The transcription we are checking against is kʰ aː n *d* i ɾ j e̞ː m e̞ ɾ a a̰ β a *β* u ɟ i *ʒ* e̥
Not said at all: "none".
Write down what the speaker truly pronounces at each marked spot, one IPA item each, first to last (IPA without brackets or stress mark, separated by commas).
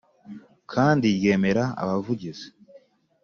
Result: d, v, z